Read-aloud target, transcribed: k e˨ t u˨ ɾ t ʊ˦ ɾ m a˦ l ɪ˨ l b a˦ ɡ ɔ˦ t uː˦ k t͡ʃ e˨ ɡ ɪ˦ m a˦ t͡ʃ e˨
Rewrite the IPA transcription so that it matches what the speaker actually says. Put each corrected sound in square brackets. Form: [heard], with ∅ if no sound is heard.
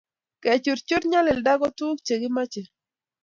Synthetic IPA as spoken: k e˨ [t͡ʃ] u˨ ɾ [t͡ʃ] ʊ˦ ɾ [ɲ] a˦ l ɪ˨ l [d] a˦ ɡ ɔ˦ t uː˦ k t͡ʃ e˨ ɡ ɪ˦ m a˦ t͡ʃ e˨